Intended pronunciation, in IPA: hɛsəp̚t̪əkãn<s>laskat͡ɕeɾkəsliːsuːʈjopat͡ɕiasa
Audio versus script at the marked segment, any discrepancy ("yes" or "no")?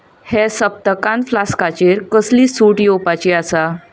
yes